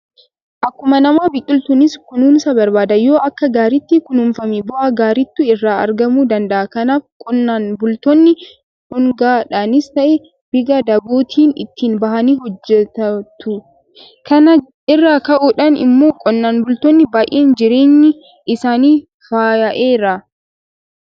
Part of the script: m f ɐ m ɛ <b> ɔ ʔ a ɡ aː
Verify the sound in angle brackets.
correct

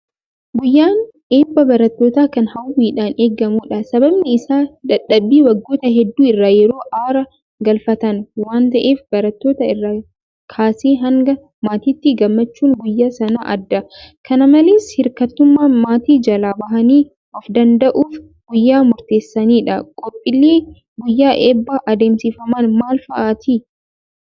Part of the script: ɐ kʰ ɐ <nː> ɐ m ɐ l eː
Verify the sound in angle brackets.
incorrect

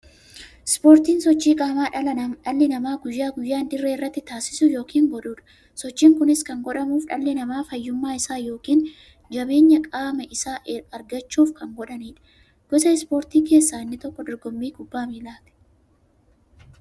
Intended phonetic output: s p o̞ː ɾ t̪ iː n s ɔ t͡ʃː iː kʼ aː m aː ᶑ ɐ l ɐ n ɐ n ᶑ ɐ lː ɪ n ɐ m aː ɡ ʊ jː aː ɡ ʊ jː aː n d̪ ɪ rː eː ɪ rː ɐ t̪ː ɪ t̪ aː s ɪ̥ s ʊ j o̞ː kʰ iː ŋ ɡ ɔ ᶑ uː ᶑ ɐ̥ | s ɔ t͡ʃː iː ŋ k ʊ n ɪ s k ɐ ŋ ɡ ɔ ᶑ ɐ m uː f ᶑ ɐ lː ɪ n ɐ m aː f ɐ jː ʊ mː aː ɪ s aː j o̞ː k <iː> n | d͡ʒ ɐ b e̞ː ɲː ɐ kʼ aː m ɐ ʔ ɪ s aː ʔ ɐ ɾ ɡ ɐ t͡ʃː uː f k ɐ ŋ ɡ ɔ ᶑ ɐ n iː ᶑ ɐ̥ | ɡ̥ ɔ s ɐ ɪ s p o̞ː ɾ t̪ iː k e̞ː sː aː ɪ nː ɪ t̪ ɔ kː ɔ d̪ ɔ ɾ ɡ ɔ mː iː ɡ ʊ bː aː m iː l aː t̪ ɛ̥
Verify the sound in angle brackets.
correct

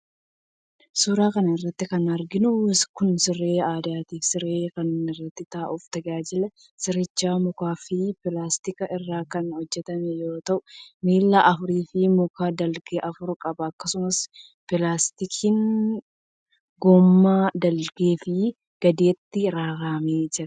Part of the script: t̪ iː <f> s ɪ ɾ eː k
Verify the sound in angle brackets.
correct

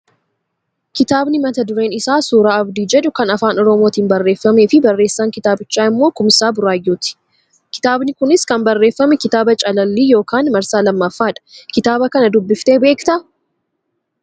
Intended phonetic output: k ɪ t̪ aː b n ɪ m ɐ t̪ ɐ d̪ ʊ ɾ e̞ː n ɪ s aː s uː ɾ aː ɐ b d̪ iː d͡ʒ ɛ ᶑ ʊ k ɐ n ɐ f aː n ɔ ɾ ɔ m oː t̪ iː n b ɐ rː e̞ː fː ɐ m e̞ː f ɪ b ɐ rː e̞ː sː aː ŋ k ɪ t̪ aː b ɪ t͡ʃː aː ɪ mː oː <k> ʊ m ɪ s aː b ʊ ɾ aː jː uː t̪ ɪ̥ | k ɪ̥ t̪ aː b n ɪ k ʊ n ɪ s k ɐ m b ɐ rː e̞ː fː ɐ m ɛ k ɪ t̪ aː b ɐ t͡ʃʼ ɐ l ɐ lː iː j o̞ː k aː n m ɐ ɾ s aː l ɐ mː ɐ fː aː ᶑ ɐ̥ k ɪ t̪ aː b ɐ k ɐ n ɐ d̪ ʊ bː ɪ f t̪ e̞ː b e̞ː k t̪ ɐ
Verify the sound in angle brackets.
correct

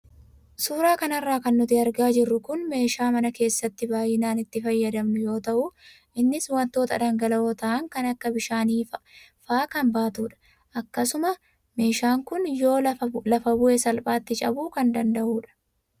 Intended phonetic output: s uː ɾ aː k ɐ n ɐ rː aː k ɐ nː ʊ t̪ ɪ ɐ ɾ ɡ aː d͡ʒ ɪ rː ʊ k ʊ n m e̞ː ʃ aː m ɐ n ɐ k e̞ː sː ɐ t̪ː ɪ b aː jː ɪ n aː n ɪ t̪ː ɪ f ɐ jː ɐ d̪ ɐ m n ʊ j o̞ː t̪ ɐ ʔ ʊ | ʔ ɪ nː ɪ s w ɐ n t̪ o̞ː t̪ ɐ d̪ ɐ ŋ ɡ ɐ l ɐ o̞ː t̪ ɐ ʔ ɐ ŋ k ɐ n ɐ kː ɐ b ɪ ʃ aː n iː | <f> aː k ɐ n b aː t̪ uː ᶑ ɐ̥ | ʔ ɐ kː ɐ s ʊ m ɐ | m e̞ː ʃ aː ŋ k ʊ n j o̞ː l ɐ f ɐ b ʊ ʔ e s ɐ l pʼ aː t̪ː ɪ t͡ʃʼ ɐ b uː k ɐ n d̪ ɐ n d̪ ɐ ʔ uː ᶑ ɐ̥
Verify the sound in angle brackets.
correct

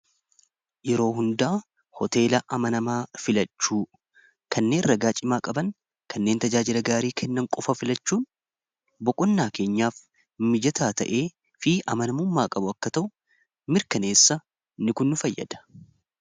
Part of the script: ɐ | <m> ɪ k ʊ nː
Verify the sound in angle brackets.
incorrect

